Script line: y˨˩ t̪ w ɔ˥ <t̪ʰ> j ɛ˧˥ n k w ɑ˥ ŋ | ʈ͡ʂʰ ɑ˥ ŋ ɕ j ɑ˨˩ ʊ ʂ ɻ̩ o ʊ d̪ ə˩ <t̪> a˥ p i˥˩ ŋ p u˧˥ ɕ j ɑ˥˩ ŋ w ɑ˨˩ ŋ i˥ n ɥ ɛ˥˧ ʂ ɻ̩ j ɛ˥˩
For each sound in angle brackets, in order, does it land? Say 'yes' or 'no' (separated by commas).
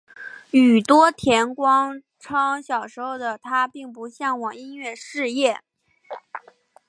yes, no